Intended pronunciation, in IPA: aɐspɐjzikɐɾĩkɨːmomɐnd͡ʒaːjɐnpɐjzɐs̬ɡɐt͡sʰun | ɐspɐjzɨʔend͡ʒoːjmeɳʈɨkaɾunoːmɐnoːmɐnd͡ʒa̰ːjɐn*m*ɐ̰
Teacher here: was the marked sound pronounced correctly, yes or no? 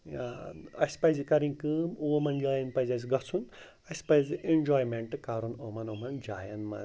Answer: yes